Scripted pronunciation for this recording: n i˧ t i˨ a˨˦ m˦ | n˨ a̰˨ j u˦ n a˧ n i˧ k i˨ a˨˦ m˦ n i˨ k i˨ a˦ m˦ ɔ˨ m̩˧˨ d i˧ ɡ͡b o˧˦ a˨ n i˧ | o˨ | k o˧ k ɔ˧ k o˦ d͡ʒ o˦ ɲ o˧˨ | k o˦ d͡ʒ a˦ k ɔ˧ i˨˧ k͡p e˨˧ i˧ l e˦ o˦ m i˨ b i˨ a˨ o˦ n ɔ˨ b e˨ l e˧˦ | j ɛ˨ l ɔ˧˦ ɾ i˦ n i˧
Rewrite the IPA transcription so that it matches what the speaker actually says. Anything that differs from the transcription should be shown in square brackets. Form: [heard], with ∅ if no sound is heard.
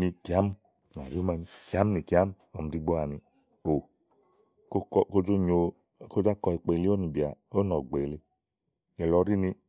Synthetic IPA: n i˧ [k] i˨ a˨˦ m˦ | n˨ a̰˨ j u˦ [m] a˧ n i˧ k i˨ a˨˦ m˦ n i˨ k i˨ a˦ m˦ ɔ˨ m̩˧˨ d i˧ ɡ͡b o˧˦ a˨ n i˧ | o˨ | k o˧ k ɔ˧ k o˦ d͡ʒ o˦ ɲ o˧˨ | k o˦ d͡ʒ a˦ k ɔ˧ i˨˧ k͡p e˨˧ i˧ l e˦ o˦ [n] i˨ b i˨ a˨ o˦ n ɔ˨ [ɡ͡b] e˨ l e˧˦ | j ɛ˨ l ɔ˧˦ ɾ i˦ n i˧

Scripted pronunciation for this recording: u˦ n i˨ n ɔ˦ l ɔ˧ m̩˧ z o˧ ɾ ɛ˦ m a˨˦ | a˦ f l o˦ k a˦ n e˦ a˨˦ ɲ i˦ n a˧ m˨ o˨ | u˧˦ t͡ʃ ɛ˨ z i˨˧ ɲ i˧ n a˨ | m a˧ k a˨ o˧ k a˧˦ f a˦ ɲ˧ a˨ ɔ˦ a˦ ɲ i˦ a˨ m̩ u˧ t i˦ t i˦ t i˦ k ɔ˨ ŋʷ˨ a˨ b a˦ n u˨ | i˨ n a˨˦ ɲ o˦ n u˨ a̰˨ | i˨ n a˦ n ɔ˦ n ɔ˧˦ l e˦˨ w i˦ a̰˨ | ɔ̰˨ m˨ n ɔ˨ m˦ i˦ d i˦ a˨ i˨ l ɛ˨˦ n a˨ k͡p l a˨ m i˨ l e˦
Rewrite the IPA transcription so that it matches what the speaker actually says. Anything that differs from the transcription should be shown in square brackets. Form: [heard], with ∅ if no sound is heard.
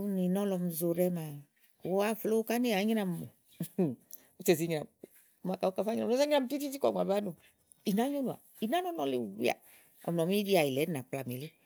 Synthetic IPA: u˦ n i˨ n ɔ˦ l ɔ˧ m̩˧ z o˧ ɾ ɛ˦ m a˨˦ | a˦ f l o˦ k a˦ n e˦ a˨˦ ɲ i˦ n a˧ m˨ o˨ | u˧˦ t͡ʃ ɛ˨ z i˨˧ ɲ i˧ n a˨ | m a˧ k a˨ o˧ k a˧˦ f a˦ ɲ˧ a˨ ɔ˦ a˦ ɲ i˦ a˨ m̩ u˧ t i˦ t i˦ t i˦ k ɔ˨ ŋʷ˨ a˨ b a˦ n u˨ | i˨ n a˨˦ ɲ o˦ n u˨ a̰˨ | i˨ n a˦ n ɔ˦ n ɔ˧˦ l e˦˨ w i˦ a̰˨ | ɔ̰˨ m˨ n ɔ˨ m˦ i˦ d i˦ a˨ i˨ l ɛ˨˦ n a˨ k͡p l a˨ m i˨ l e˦

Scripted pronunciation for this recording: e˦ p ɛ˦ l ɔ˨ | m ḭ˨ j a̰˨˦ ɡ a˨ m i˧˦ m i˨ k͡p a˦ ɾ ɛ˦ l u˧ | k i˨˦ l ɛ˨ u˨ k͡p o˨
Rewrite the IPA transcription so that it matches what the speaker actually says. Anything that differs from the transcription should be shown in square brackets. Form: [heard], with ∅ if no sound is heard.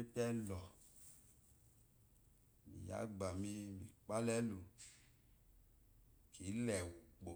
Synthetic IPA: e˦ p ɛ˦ l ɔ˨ | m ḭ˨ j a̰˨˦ [ɡ͡b] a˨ m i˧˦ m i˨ k͡p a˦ [l] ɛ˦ l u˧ | k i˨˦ l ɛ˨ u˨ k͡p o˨

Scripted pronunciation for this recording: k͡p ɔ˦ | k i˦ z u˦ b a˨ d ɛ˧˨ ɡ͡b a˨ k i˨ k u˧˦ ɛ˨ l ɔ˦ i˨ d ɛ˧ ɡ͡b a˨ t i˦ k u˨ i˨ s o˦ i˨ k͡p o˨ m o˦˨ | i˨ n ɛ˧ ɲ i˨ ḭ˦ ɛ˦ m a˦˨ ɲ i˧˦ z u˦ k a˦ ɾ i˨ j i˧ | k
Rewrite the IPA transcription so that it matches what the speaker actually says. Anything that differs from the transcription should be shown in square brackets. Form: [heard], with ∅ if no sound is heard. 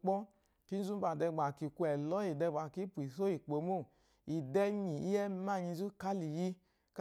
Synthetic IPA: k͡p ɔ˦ | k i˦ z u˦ b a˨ d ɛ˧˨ ɡ͡b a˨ k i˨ k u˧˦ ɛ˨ l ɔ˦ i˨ d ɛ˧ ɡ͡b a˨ [k] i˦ [p] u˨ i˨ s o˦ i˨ k͡p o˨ m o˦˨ | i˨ [d] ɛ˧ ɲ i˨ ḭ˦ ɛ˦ m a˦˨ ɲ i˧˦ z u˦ k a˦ [l] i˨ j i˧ | k

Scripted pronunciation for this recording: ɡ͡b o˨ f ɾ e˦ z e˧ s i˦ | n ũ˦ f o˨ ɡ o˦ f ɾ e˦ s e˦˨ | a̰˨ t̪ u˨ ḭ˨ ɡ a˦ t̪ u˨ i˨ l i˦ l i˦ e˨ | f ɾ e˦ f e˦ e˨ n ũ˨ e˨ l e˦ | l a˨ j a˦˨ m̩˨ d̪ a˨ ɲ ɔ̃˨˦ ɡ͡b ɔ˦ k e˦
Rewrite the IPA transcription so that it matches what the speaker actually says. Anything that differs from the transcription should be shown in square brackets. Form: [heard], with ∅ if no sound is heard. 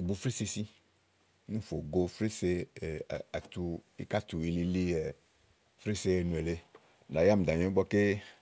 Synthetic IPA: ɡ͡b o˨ f ɾ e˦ [s] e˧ s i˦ | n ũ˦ f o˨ ɡ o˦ f ɾ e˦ s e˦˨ | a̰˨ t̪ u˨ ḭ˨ [k] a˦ t̪ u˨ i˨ l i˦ l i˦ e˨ | f ɾ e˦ [s] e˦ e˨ n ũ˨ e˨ l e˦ | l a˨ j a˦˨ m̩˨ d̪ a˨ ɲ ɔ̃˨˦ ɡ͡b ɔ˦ k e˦

